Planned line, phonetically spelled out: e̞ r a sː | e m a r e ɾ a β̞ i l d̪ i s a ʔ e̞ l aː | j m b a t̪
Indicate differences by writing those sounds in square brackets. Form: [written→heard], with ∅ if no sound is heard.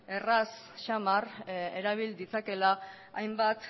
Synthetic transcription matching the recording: e̞ r a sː | [e→a] m a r e ɾ a β̞ i l d̪ i [s→t͡s] a [ʔ→k] e̞ l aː | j m b a t̪